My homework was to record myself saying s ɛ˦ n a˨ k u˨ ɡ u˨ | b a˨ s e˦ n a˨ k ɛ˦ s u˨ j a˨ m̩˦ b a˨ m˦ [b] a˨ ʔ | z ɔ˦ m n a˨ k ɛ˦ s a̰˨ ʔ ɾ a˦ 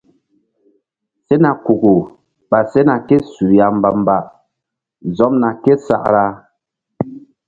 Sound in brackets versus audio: correct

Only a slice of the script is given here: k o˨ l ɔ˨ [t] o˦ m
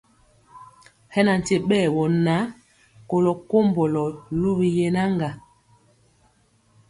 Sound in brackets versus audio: incorrect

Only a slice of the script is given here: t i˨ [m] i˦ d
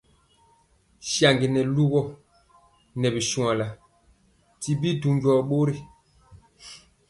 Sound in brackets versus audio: incorrect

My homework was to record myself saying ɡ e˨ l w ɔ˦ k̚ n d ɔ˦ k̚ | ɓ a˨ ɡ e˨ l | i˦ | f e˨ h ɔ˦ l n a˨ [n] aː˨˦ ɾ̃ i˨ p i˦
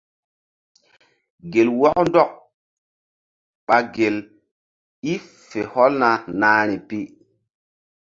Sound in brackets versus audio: correct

